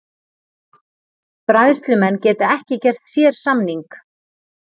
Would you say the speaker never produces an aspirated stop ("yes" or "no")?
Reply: yes